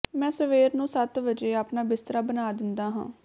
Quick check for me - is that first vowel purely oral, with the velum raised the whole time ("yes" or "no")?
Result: no